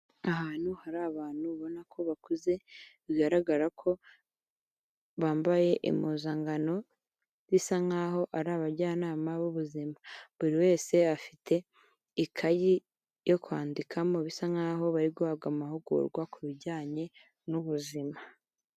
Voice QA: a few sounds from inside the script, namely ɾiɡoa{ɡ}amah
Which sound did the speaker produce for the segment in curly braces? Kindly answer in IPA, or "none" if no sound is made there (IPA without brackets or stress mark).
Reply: ɡ